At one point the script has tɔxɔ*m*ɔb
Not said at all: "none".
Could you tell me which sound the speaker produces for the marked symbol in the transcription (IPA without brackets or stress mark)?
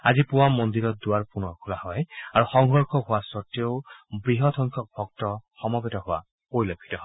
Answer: m